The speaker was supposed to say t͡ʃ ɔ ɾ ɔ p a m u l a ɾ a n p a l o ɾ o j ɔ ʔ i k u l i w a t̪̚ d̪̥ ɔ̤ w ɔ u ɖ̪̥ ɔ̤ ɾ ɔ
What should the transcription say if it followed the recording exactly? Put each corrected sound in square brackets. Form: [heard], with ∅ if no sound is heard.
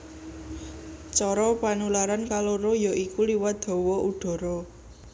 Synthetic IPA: t͡ʃ ɔ ɾ ɔ p a [n] u l a ɾ a n [k] a l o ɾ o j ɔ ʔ i k u l i w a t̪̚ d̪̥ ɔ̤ w ɔ u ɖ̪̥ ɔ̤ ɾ ɔ